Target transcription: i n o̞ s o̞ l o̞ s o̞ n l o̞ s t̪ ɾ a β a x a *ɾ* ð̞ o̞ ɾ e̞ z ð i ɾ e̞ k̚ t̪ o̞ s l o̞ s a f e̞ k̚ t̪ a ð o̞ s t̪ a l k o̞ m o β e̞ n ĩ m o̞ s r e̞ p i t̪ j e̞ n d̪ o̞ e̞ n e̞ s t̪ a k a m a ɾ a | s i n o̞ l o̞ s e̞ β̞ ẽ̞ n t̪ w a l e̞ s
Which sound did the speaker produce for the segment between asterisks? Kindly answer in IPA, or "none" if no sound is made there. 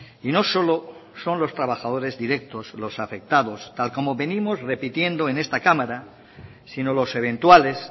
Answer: none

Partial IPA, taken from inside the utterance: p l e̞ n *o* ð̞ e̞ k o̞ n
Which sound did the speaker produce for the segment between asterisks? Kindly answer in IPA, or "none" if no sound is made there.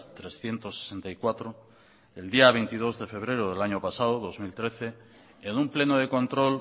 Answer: o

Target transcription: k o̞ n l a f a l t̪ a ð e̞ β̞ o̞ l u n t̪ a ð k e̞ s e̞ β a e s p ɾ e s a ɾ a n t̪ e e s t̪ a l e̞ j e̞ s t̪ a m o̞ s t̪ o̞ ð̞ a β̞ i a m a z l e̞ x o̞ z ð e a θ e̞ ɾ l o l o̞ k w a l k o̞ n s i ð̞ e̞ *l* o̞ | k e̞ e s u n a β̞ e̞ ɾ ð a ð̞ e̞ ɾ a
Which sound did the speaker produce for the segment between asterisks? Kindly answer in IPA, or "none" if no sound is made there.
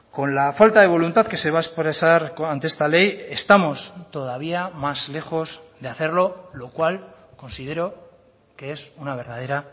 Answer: ɾ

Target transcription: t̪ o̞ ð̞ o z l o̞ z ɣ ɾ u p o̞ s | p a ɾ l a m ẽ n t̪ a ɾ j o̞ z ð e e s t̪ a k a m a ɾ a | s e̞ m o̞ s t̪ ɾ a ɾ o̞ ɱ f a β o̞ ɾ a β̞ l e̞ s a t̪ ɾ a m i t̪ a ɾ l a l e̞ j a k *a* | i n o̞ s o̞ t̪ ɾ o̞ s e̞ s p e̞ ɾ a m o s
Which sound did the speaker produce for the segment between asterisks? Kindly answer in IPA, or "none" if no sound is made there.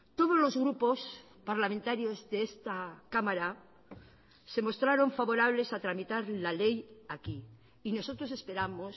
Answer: i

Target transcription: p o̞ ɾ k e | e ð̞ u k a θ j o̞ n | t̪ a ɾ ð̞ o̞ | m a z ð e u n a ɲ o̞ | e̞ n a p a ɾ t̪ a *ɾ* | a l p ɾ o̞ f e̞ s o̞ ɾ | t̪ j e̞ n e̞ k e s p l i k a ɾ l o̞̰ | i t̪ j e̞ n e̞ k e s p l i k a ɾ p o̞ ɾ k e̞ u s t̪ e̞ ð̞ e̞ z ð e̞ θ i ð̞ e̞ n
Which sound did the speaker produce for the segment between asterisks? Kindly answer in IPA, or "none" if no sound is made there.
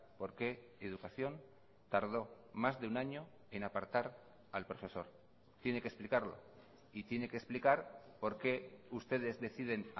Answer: ɾ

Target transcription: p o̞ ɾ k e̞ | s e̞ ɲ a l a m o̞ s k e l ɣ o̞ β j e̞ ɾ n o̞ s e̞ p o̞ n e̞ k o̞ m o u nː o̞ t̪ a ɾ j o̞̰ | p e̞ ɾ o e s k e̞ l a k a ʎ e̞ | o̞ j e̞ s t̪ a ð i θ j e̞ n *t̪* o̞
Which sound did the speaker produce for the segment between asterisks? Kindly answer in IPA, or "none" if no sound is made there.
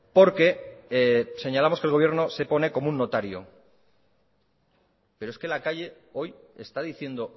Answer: d̪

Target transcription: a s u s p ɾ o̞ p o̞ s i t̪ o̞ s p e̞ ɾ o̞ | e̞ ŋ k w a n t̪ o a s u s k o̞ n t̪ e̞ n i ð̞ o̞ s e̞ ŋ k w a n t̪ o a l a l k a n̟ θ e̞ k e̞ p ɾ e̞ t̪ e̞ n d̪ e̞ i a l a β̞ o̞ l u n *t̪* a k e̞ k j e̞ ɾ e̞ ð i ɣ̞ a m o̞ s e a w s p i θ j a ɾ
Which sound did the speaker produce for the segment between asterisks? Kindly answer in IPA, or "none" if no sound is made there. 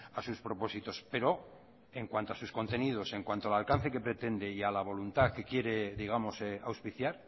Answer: t̪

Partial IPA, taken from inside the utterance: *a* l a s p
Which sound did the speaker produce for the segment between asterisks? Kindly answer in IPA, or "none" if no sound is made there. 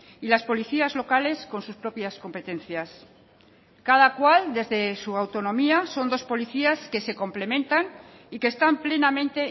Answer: i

